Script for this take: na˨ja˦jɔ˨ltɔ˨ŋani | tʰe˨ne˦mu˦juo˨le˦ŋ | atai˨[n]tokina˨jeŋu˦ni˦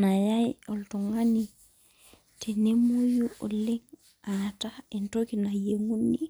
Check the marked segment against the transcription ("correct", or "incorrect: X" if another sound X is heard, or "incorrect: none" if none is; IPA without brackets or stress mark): correct